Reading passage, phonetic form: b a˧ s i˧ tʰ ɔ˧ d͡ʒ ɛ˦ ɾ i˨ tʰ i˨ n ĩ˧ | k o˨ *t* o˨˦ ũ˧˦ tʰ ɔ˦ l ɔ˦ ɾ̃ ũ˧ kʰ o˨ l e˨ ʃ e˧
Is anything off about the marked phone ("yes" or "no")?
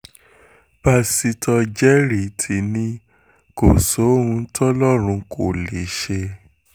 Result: yes